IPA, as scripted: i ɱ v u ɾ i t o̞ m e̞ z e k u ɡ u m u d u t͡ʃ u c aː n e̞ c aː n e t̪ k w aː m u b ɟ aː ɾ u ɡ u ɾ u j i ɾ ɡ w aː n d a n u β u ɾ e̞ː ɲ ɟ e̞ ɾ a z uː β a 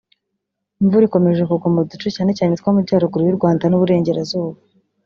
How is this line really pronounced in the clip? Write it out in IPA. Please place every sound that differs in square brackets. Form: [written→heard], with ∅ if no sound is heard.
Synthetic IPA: i ɱ v u ɾ i [t→k] o̞ m e̞ [z→ʒ] e k u ɡ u m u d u t͡ʃ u c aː n e̞ c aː n e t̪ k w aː m u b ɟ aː ɾ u ɡ u ɾ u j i ɾ ɡ w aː n d a n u β u ɾ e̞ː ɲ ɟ e̞ ɾ a z uː β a